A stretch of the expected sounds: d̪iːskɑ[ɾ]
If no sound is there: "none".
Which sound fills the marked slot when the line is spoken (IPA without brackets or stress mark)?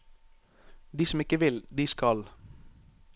l